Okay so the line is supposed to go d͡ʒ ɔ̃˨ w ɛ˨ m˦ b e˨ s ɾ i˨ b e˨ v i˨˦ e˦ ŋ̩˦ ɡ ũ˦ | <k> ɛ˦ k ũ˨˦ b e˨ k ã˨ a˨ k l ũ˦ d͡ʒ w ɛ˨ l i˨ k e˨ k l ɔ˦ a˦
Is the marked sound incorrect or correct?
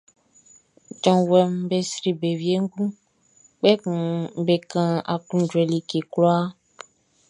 incorrect